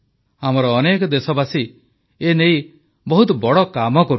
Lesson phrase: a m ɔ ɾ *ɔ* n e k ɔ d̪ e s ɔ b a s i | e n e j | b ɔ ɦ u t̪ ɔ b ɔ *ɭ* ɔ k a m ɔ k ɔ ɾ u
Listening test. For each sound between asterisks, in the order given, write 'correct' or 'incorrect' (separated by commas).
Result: incorrect, incorrect